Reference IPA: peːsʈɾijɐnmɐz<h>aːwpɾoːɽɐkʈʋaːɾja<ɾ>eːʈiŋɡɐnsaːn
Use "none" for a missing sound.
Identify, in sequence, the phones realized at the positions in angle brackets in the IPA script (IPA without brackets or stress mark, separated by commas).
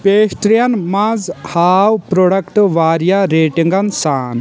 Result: h, ɾ